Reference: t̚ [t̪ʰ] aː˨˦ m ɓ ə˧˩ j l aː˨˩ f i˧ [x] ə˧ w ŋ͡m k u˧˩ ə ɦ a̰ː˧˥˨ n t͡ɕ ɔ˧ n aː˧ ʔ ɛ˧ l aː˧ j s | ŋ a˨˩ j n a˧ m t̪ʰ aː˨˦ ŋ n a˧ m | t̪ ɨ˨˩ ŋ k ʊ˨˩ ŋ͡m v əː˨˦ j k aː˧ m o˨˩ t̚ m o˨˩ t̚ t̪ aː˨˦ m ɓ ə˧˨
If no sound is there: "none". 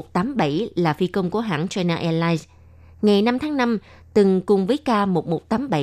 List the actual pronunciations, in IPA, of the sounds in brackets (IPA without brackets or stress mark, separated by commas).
t̪, k